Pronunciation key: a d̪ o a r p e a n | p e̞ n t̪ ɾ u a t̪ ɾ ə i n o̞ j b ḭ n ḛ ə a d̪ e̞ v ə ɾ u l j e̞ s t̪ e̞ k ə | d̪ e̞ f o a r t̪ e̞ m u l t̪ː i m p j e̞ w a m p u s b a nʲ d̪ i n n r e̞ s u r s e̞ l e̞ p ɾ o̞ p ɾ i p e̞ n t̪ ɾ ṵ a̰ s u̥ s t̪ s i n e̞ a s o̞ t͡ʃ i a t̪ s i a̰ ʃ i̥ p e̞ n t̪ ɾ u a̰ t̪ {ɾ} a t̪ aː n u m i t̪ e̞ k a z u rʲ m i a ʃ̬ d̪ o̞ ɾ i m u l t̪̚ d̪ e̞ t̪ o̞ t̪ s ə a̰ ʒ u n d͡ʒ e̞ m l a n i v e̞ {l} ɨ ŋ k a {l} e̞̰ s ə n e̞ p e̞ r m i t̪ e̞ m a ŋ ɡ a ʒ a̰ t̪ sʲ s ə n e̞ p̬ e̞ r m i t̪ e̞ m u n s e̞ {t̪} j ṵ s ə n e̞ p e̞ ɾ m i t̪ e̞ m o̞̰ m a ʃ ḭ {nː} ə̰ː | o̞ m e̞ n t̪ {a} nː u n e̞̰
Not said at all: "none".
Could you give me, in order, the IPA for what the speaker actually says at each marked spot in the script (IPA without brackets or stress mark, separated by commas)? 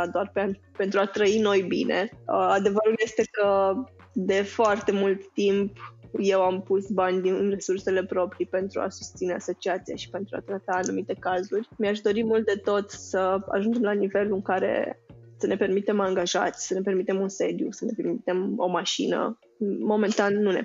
ɾ, l, ɾ, d̪, n, a